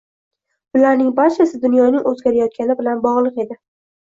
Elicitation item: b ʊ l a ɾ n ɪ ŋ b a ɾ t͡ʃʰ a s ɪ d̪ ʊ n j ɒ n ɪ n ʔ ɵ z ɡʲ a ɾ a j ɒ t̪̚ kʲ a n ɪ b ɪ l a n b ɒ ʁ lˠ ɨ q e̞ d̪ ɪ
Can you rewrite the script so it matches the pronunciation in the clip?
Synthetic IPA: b ʊ l a ɾ n ɪ ŋ b a ɾ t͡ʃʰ a s ɪ d̪ ʊ n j ɒ n ɪ ŋ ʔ ɵ z ɡʲ a ɾ a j ɒ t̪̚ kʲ a n ɪ b ɪ l a n b ɒ ʁ lˠ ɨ q e̞ d̪ ɪ